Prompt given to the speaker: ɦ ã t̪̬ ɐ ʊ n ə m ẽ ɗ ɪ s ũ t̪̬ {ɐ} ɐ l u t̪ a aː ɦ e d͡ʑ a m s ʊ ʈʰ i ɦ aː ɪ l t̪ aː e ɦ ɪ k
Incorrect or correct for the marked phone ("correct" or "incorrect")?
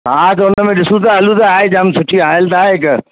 incorrect